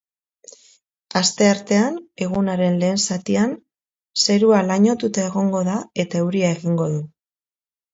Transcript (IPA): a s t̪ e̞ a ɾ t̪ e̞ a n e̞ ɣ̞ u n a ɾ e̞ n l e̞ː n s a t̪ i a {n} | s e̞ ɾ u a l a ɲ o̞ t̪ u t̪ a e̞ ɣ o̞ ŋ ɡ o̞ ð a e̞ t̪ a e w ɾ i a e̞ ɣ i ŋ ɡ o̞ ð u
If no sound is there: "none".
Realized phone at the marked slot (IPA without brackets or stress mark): n